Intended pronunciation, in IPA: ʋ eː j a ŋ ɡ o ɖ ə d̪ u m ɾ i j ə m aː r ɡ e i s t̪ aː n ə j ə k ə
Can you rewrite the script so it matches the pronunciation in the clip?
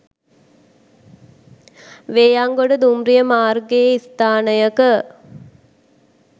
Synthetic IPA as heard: ʋ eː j a ŋ ɡ o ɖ ə d̪ u m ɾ i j ə m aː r ɡ e i s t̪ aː n ə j ə k ə